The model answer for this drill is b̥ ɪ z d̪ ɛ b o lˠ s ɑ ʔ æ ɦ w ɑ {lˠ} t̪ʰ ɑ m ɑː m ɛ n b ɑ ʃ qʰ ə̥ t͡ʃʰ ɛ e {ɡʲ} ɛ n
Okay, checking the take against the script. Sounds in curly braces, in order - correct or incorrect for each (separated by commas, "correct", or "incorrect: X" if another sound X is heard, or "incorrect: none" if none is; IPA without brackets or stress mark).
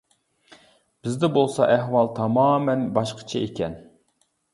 correct, incorrect: kʲ